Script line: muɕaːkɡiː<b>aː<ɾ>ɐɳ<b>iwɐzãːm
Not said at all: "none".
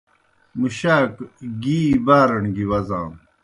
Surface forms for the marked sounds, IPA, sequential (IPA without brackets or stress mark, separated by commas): b, ɾ, ɡ